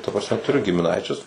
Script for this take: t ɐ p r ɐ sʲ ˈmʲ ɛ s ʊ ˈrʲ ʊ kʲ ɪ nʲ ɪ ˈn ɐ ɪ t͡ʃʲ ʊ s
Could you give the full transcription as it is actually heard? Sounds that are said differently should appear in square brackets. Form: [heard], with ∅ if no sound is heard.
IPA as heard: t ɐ p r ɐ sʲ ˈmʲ ɛ [t] ʊ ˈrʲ ʊ [ɡʲ] ɪ [mʲ] ɪ ˈn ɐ ɪ t͡ʃʲ ʊ s